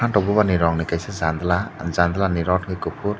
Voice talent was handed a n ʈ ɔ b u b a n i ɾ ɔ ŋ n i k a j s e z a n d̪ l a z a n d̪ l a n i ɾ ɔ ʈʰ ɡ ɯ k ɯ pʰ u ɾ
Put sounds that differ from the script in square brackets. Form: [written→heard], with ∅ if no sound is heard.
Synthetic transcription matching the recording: a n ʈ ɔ b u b a n i ɾ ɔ ŋ n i k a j s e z a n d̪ l a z a n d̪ l a n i ɾ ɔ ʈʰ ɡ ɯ k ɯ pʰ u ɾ